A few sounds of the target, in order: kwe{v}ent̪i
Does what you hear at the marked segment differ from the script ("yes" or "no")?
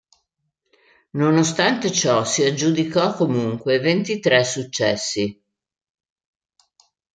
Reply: no